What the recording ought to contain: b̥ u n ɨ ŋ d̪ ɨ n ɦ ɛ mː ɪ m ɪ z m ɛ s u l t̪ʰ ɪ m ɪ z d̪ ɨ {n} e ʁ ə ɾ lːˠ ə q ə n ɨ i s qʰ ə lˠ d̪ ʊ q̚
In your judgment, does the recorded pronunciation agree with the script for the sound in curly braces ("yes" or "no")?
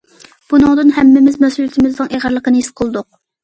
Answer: no